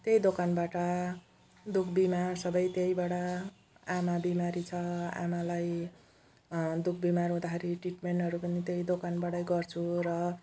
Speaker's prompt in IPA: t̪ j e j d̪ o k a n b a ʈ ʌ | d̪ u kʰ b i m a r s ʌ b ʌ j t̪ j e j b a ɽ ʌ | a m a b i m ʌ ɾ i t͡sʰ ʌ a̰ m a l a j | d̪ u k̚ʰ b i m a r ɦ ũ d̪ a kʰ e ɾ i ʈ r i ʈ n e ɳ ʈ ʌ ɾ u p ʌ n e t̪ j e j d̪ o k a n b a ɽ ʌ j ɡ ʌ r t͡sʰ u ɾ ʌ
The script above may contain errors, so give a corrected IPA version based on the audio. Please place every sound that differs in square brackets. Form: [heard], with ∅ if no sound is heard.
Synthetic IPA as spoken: t̪ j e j d̪ o k a n b a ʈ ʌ | d̪ u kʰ b i m a r s ʌ b ʌ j t̪ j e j b a ɽ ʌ | a m a b i m [a] ɾ i t͡sʰ ʌ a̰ m a l a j | d̪ u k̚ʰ b i m a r ɦ ũ d̪ a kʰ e ɾ i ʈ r i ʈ [m] e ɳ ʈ ʌ ɾ u p ʌ n [i] t̪ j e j d̪ o k a n b a ɽ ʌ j ɡ ʌ r t͡sʰ u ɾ ʌ